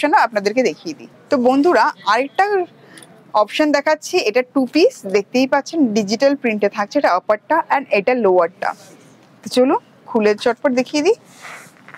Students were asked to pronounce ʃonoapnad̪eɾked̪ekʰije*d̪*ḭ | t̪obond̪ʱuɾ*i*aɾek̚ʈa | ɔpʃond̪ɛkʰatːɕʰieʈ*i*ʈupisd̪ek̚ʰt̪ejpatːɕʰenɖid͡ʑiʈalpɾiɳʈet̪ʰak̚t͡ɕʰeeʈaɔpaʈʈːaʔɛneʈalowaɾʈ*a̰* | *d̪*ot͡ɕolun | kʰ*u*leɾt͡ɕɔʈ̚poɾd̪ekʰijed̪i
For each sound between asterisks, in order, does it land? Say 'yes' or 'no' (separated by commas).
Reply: yes, no, no, yes, no, yes